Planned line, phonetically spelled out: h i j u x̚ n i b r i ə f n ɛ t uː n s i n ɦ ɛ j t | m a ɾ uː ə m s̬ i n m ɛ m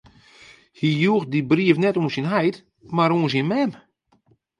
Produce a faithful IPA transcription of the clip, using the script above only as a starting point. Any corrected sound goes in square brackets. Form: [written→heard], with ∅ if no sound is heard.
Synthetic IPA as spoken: h i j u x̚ [n→d] i b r i ə f n ɛ t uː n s i n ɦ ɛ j t | m a ɾ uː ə [m→n] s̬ i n m ɛ m